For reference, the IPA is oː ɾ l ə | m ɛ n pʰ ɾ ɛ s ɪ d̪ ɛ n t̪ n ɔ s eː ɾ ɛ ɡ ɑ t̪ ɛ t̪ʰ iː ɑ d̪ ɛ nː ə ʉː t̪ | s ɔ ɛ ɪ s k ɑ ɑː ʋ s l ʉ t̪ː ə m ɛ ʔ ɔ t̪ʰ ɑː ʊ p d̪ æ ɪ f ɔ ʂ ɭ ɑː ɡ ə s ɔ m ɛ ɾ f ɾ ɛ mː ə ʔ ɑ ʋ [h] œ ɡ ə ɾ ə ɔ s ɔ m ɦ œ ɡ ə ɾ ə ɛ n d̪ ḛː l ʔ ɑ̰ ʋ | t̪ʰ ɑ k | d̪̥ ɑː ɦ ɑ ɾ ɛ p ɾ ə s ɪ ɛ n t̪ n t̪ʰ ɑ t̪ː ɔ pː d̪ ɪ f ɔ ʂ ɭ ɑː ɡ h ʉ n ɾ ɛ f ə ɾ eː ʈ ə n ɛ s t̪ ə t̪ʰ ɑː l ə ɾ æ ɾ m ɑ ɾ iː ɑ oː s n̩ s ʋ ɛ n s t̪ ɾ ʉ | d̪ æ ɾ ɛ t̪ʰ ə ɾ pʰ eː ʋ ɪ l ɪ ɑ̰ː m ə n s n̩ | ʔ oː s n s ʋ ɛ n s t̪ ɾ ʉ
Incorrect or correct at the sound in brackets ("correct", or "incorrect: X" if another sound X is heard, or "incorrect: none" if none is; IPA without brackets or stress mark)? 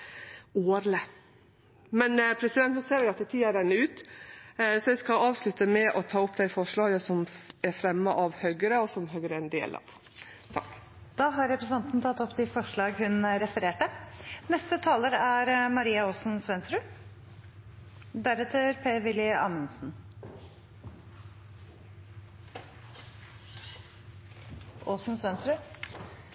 correct